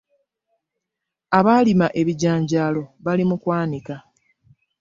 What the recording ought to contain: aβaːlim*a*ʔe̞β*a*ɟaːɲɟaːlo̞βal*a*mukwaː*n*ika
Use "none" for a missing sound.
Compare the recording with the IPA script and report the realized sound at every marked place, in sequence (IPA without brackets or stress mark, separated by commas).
a, i, i, n